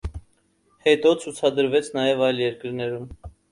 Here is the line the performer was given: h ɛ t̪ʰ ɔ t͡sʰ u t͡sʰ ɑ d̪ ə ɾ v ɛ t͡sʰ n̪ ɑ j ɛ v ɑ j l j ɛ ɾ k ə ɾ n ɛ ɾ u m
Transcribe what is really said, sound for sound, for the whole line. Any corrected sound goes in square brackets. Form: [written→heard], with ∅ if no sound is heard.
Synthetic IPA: h ɛ [t̪ʰ→t̪] ɔ t͡sʰ u t͡sʰ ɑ d̪ ə ɾ v ɛ t͡sʰ n̪ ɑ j ɛ v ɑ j l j ɛ ɾ k ə ɾ n ɛ ɾ u m

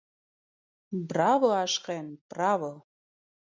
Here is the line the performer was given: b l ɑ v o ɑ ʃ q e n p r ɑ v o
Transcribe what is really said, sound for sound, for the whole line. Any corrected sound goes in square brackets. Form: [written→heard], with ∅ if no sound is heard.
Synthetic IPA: b [l→r] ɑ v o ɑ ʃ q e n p r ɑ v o

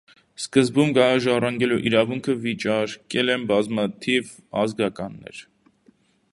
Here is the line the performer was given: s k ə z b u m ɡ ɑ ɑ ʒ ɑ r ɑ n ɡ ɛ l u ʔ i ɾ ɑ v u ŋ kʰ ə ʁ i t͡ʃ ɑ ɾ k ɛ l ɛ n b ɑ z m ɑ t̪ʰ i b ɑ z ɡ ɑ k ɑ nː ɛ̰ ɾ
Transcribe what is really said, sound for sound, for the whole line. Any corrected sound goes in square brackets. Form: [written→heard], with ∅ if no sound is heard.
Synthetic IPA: s k ə z b u m ɡ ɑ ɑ ʒ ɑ r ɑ [n→ŋ] ɡ ɛ l u ʔ i ɾ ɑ v u ŋ kʰ ə [ʁ→v] i t͡ʃ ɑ ɾ k ɛ l ɛ n b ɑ z m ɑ t̪ʰ i [b→v] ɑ z ɡ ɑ k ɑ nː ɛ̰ ɾ

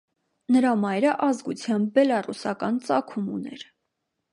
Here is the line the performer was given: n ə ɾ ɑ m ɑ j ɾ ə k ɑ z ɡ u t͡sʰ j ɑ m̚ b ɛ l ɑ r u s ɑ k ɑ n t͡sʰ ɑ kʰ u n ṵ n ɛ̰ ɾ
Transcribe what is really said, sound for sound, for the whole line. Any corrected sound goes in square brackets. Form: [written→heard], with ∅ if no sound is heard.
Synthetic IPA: n ə ɾ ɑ m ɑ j ɾ ə [k→ʔ] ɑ z ɡ u t͡sʰ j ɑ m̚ b ɛ l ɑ r u s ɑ k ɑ n [t͡sʰ→t͡s] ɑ kʰ u [n→m] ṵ n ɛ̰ ɾ

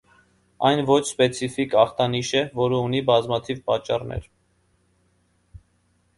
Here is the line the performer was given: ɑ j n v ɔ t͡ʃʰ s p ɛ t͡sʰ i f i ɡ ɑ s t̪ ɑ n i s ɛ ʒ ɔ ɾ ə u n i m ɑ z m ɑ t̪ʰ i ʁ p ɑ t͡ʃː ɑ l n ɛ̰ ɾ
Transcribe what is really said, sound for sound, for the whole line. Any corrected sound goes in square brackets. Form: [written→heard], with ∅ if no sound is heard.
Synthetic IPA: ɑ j n v ɔ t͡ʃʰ s p ɛ t͡sʰ i f i [ɡ→k] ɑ [s→χ] t̪ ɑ n i [s→ʃ] ɛ [ʒ→v] ɔ ɾ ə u n i [m→b] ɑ z m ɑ t̪ʰ i [ʁ→v] p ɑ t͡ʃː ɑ [l→r] n ɛ̰ ɾ

